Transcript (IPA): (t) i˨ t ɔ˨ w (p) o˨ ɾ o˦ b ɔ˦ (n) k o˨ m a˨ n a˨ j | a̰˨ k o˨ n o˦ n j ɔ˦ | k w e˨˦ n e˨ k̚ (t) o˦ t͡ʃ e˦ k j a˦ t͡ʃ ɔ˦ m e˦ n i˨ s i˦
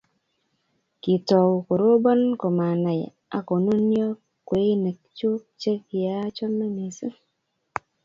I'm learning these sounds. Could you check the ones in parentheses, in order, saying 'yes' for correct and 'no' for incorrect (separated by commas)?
no, no, yes, no